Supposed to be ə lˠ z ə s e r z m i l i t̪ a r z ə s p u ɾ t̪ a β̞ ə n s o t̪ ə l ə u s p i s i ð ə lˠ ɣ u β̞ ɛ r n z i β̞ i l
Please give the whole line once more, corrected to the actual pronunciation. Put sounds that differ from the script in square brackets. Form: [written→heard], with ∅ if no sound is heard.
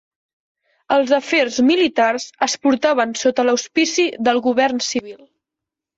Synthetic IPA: ə lˠ z ə [s→f] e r z m i l i t̪ a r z ə s p u ɾ t̪ a β̞ ə n s o t̪ ə l ə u s p i s i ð ə lˠ ɣ u β̞ ɛ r n [z→s] i β̞ i l